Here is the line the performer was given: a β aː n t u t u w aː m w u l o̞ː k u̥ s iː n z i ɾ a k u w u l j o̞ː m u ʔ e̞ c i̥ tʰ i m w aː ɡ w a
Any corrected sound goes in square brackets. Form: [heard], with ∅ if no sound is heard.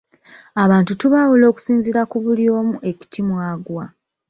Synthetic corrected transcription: a β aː n t u t u [β] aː [∅] w u l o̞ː k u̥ s iː n z i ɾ a k u [β] u l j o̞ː m u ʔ e̞ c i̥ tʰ i m w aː ɡ w a